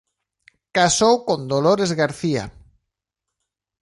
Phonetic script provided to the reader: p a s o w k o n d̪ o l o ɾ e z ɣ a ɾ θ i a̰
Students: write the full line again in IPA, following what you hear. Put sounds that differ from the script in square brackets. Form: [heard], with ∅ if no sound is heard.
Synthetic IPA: [k] a s o w k o n d̪ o l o ɾ e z ɣ a ɾ θ i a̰